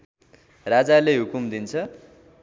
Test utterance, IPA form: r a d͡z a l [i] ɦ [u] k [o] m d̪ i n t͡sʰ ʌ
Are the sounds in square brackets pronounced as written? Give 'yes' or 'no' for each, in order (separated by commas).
no, yes, no